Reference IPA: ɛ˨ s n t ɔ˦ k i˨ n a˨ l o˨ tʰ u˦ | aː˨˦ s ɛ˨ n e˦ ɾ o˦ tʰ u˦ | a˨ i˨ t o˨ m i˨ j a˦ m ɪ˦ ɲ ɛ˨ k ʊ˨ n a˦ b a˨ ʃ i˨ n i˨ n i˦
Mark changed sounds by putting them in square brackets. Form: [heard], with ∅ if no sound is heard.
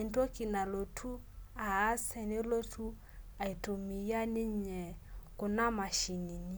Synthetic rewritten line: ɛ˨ [∅] n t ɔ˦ k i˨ n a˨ l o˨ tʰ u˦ | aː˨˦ s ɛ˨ n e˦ [l] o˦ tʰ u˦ | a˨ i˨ t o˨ m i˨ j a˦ [n] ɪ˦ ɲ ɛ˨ k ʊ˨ n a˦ [m] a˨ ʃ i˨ n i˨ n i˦